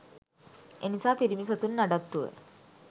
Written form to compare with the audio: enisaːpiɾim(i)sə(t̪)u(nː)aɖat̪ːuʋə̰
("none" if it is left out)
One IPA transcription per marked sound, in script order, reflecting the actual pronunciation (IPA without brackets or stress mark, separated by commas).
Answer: i, t̪, nː